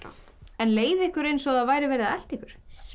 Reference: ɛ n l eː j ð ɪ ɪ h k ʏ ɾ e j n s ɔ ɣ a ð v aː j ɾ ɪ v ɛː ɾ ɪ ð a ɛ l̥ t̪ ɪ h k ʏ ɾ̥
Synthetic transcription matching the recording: ɛ n l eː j ð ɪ ɪ h k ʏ ɾ e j n s ɔ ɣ a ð v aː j ɾ ɪ v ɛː ɾ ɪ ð a ɛ l̥ t̪ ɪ h k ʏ ɾ̥